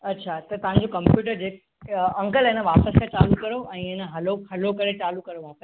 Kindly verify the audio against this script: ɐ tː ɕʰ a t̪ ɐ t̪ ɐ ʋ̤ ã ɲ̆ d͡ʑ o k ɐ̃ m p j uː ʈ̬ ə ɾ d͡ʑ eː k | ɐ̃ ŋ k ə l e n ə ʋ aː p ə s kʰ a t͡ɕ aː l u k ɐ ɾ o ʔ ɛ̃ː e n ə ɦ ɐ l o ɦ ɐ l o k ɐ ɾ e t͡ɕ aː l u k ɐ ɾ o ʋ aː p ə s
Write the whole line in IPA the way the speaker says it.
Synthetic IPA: ɐ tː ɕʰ a t̪ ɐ t̪ ɐ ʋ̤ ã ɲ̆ d͡ʑ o k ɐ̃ m p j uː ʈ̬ ə ɾ d͡ʑ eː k | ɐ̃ ŋ k ə l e n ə ʋ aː p ə s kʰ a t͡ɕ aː l u k ɐ ɾ o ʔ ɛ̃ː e n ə ɦ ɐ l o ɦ ɐ l o k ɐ ɾ e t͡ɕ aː l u k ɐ ɾ o ʋ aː p ə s